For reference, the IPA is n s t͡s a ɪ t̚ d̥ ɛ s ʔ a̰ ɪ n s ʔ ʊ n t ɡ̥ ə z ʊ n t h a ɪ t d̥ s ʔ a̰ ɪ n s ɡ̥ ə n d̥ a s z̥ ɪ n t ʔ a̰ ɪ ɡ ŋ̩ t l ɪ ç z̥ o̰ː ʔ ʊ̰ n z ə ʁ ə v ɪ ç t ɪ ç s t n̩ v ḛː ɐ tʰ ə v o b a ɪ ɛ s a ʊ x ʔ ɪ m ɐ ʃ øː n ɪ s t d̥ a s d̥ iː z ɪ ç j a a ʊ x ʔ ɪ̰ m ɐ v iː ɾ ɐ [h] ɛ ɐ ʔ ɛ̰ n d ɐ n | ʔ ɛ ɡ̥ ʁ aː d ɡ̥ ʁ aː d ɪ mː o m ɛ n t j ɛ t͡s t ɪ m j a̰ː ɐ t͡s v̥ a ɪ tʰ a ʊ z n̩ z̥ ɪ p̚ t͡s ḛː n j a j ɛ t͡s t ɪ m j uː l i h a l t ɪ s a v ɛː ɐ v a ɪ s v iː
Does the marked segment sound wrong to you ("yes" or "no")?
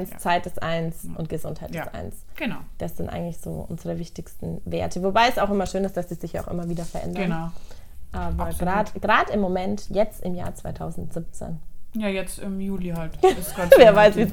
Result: yes